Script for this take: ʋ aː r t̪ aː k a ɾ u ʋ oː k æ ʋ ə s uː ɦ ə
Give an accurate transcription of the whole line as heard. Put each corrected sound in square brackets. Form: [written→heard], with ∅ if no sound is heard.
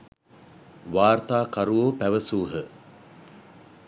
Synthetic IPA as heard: ʋ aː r t̪ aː k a ɾ u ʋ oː [k→p] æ ʋ ə s uː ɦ ə